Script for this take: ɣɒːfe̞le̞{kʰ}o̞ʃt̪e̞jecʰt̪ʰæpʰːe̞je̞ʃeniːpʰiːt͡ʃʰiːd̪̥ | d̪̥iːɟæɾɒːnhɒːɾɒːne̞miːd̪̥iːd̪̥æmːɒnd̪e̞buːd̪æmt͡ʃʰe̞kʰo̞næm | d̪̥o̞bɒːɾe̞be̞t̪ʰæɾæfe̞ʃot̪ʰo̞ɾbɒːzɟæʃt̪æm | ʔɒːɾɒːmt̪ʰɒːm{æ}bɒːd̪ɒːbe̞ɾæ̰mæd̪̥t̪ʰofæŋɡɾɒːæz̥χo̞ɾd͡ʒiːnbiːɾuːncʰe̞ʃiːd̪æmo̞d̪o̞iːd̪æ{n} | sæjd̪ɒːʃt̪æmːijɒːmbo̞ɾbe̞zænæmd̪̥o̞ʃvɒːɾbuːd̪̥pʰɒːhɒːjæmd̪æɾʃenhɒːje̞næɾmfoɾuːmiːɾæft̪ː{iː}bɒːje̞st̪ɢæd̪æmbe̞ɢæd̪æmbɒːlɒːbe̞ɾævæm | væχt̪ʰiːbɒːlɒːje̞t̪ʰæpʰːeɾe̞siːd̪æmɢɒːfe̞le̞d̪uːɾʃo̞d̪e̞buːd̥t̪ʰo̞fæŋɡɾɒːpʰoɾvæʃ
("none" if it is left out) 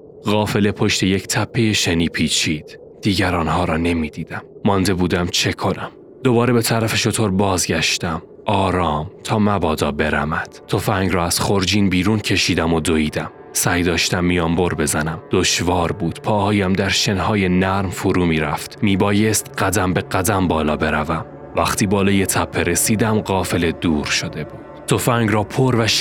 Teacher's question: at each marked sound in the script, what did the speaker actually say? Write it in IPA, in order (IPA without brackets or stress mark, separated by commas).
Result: pʰ, æ, m, iː